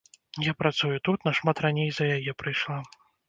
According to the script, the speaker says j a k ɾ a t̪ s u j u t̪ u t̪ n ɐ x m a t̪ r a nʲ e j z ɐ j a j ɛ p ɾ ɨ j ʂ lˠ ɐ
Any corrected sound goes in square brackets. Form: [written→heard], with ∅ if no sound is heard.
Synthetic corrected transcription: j a [k→p] ɾ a t̪ s u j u t̪ u t̪ n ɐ [x→ʂ] m a t̪ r a nʲ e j z ɐ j a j ɛ p ɾ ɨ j ʂ lˠ [ɐ→a]